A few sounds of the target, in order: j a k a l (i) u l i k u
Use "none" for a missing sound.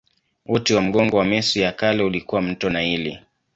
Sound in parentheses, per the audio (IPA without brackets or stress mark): ɛ